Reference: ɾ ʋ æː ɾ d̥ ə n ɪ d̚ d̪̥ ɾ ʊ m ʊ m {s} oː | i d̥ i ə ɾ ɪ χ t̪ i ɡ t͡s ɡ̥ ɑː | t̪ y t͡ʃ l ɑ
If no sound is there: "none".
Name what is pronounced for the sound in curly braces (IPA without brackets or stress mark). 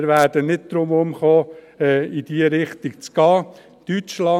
χ